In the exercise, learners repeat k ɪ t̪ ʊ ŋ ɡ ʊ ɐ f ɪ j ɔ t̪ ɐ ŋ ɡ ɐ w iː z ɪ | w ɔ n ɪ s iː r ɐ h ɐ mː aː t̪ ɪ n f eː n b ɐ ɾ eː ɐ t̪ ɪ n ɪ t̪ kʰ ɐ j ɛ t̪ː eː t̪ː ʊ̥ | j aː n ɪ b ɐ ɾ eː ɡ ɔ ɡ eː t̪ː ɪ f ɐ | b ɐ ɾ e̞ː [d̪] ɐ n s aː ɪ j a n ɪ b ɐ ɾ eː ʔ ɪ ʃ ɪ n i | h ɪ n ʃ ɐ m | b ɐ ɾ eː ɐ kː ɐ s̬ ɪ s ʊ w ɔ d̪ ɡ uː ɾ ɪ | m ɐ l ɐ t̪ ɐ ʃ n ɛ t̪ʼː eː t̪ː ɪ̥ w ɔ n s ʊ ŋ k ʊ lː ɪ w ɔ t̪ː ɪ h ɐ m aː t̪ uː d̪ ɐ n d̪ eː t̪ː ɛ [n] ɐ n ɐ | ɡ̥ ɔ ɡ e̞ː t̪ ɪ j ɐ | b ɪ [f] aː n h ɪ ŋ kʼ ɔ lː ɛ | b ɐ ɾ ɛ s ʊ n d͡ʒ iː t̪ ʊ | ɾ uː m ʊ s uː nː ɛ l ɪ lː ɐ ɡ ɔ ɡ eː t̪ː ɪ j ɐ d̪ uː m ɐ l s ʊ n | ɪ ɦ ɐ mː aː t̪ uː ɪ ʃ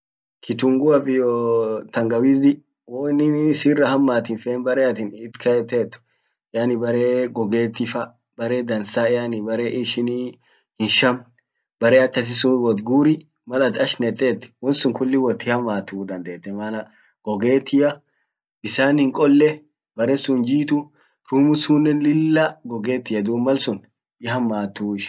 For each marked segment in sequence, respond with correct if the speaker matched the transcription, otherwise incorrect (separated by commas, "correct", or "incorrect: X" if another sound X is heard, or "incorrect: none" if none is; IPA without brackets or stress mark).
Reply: correct, incorrect: m, incorrect: s